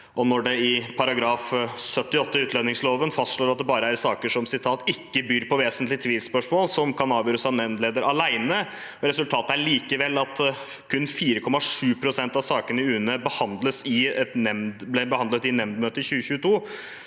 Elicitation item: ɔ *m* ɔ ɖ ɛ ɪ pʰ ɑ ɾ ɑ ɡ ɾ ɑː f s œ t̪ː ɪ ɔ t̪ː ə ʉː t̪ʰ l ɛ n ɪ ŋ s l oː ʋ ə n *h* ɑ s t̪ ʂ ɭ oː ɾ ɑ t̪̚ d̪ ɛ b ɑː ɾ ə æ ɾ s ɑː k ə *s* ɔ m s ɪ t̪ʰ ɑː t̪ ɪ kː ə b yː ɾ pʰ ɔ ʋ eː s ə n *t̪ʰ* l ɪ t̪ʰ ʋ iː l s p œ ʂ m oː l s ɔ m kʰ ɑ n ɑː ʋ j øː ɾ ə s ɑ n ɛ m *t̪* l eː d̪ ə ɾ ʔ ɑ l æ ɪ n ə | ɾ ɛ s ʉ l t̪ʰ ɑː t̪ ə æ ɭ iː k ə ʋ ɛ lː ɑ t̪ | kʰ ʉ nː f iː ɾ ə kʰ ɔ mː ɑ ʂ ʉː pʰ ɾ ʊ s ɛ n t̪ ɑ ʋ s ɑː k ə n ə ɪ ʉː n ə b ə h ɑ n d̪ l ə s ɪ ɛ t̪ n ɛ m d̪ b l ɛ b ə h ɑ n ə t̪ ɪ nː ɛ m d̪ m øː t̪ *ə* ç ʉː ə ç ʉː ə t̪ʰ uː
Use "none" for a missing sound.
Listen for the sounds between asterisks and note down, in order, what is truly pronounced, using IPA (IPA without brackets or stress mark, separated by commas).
n, f, ʂ, t̪, d̪, ə